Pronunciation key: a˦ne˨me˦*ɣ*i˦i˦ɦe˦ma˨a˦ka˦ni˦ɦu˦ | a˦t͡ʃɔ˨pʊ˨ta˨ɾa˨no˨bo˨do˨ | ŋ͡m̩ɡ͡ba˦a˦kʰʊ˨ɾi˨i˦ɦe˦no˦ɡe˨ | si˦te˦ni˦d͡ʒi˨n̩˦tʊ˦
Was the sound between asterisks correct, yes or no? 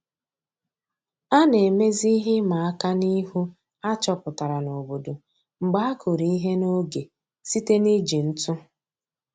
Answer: no